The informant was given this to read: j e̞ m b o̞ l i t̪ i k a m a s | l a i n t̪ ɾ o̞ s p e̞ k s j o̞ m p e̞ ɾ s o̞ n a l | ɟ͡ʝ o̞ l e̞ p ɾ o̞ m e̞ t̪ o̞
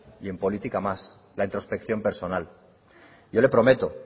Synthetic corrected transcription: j e̞ m p o̞ l i t̪ i k a m a s | l a i n t̪ ɾ o̞ s p e̞ k θ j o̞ m p e̞ ɾ s o̞ n a l | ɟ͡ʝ o̞ l e̞ p ɾ o̞ m e̞ t̪ o̞